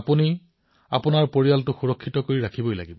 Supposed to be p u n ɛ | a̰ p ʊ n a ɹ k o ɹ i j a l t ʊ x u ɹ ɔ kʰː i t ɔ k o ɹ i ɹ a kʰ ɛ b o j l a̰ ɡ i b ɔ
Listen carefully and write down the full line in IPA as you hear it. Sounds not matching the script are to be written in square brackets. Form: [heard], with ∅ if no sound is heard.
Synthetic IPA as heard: p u n [i] | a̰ p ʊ n a ɹ [p] o ɹ i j a l t ʊ x u ɹ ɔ kʰː i t ɔ k o ɹ i ɹ a kʰ [i] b o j l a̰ ɡ i b ɔ